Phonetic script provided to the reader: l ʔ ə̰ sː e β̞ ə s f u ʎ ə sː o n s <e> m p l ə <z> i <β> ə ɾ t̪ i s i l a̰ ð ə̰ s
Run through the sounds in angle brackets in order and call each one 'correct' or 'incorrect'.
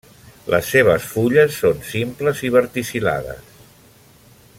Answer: incorrect: i, correct, correct

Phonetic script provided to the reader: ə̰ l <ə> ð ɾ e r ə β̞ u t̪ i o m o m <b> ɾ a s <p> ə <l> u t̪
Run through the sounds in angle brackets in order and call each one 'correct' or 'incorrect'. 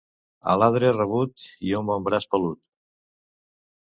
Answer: incorrect: a, correct, correct, correct

